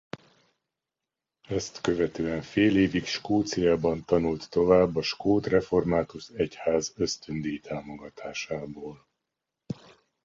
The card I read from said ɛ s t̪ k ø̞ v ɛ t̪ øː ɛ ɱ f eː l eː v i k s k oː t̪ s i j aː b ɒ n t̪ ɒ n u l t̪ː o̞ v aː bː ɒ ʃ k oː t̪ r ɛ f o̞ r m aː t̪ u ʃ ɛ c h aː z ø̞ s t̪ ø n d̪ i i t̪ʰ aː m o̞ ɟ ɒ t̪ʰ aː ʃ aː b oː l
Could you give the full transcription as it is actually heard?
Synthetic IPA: ɛ s t̪ k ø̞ v ɛ t̪ øː ɛ ɱ f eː l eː v i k ʃ k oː t̪ s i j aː b ɒ n t̪ ɒ n u l t̪ː o̞ v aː bː ɒ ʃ k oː t̪ r ɛ f o̞ r m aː t̪ u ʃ ɛ c h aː z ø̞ s t̪ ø n d̪ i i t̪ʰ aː m o̞ ɡ ɒ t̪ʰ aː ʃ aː b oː l